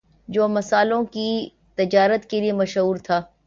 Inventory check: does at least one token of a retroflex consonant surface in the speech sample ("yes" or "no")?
no